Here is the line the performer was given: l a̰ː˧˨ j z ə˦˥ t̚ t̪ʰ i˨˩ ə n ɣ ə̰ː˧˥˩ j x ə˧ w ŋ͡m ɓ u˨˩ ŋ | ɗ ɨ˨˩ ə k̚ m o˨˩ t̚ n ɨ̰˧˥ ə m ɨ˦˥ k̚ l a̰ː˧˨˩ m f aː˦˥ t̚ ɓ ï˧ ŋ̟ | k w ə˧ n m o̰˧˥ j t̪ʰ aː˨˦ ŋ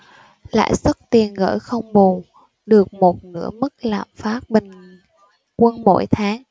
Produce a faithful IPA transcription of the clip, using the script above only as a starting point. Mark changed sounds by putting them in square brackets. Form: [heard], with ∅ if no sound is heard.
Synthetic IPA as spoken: l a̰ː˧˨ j [s] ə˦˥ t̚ [t̪] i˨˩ ə n ɣ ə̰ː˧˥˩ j x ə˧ w ŋ͡m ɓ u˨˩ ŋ | ɗ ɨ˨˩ ə k̚ m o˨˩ t̚ n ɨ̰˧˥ ə m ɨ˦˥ k̚ l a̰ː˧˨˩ m f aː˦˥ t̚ ɓ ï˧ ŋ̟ | k w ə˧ n m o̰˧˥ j t̪ʰ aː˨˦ ŋ